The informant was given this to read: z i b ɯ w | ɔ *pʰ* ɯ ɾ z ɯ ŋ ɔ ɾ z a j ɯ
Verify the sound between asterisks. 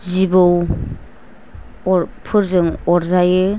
correct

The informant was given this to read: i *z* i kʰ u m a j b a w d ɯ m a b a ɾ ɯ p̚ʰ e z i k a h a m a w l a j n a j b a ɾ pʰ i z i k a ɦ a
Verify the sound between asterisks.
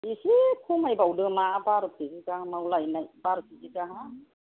incorrect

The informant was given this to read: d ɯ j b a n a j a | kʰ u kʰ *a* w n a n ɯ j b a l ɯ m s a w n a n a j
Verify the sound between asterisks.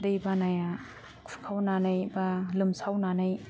correct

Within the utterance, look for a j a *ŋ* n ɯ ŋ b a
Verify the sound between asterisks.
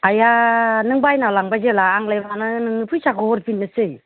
incorrect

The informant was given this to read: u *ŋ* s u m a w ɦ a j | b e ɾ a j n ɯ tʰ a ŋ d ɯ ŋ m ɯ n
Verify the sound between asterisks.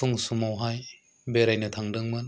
correct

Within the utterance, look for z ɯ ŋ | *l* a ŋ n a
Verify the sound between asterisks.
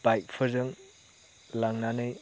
correct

